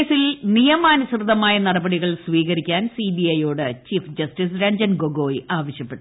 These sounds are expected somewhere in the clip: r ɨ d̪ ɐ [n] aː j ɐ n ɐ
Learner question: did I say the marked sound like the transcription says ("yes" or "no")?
no